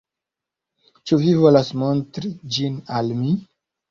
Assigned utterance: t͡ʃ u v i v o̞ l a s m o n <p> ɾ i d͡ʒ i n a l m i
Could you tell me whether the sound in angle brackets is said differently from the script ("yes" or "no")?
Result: yes